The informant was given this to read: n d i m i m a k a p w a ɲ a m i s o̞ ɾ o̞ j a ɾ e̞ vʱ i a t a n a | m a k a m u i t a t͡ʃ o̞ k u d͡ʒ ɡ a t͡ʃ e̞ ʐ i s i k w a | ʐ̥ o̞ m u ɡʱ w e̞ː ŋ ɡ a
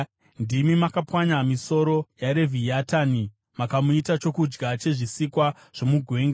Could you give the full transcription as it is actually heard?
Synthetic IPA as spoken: n d i m i m a k a p w a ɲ a m i s o̞ ɾ o̞ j a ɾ e̞ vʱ i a t a n i | m a k a m u i t a t͡ʃ o̞ k u d͡ʒ ɡ a t͡ʃ e̞ ʐ i s i k w a | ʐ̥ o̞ m u ɡʱ w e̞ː ŋ ɡ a